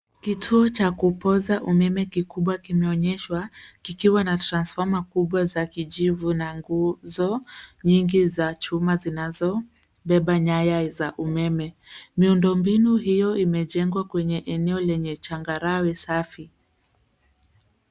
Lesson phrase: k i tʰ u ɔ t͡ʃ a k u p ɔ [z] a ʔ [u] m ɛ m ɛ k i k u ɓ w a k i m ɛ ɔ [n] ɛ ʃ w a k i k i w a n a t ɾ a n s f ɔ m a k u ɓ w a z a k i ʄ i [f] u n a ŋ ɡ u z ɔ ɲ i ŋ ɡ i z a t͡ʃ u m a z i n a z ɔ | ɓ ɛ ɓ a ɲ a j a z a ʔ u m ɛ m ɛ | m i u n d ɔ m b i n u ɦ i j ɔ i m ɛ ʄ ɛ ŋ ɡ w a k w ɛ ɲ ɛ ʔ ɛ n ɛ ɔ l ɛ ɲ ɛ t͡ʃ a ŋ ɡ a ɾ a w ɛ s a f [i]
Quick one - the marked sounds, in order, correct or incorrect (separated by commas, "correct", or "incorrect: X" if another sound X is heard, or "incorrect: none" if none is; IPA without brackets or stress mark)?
correct, correct, incorrect: ɲ, incorrect: v, correct